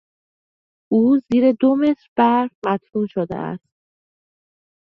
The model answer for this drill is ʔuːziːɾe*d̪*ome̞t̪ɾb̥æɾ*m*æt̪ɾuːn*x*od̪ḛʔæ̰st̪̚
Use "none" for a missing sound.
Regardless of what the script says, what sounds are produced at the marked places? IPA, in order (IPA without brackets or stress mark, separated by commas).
d̪, m, ʃ